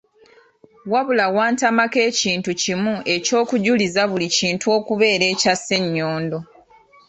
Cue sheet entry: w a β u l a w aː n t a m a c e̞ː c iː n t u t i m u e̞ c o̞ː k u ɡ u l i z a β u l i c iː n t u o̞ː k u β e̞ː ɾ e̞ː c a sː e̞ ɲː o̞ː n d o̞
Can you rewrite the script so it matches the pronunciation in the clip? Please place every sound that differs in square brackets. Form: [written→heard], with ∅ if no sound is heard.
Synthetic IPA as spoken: w a β u l a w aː n t a m a [c→k] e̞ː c iː n t u [t→c] i m u e̞ c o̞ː k u [ɡ→ɟ] u l i z a β u l i c iː n t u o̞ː k u β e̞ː ɾ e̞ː c a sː e̞ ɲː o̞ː n d o̞